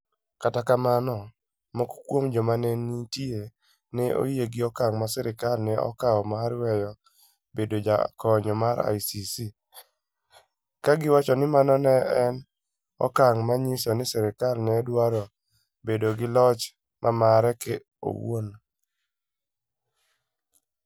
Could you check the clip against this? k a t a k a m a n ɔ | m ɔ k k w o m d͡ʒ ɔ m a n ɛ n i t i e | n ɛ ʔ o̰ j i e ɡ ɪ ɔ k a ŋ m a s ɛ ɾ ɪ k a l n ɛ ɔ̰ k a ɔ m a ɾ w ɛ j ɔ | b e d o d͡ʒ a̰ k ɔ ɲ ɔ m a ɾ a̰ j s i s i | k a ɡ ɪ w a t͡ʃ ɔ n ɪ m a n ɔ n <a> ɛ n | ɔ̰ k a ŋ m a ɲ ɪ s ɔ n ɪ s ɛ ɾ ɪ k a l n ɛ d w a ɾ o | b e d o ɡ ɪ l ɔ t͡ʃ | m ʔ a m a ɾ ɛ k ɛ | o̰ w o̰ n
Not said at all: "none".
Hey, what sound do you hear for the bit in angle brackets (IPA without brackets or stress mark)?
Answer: ɛ